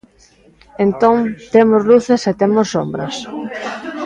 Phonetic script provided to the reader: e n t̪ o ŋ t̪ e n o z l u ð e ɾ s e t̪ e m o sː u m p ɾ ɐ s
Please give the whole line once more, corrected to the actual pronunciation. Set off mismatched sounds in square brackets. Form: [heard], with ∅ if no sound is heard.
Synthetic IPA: e n t̪ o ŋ t̪ e [m] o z l u [θ] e [∅] s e t̪ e m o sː [o] m [b] ɾ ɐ s